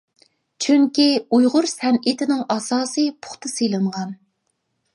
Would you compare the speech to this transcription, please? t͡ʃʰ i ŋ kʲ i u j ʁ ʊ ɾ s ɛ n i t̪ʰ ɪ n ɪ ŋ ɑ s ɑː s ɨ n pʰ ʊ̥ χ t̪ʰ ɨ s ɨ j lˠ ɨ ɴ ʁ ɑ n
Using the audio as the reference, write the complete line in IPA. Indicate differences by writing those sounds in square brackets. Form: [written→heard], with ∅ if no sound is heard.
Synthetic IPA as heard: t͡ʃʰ [i→y] ŋ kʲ i u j ʁ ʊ ɾ s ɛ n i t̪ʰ ɪ n ɪ ŋ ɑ s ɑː s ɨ [n→∅] pʰ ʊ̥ χ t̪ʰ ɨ s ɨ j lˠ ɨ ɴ ʁ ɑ n